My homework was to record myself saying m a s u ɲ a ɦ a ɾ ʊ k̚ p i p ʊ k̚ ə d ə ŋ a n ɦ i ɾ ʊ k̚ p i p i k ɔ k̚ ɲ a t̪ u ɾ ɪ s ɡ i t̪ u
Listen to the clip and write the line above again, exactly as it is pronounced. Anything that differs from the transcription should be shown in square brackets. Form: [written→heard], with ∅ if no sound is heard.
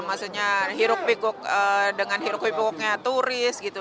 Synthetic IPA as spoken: m a s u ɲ a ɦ [a→i] ɾ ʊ k̚ p i [p→k] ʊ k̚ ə d ə ŋ a n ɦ i ɾ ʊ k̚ p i p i k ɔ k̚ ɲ a t̪ u ɾ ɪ s ɡ i t̪ u

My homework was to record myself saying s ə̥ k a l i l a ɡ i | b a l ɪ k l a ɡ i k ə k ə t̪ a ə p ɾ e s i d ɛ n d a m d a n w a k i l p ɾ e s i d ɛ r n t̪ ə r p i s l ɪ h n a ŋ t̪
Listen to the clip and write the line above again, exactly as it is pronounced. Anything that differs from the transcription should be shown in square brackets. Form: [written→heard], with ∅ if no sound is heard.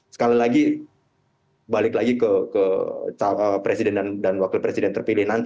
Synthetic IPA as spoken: s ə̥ k a l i l a ɡ i | b a l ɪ k l a ɡ i k ə k ə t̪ a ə p ɾ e s i d ɛ n d a [m→n] d a n w a k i l p ɾ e s i d ɛ [r→∅] n t̪ ə r p i [s→∅] l ɪ h n a [ŋ→n] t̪

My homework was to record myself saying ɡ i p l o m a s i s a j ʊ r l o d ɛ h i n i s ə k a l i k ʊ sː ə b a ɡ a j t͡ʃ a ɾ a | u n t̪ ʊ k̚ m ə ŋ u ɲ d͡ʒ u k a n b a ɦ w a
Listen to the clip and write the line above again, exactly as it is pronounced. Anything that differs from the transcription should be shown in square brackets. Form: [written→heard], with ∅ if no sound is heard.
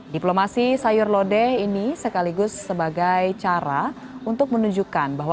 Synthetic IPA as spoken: [ɡ→d] i p l o m a s i s a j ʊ r l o d ɛ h i n i s ə k a l i [k→ɡ] ʊ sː ə b a ɡ a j t͡ʃ a ɾ a | u n t̪ ʊ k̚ m ə [ŋ→n] u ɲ d͡ʒ u k a n b a ɦ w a

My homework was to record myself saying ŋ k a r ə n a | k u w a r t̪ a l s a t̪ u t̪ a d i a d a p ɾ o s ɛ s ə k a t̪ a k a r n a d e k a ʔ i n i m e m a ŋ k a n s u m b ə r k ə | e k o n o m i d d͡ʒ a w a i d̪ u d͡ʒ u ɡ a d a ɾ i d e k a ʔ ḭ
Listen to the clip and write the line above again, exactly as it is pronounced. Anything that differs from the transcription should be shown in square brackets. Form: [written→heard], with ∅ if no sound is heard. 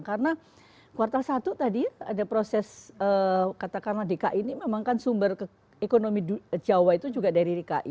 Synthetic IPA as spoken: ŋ k a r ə n a | k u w a r t̪ a l s a t̪ u t̪ a d i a d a p ɾ o s ɛ s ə k a t̪ a k a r n a d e k a ʔ i n i m e m a ŋ k a n s u m b ə r k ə | e k o n o m i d d͡ʒ a w a i [d̪→t̪] u d͡ʒ u ɡ a d a ɾ i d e k a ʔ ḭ

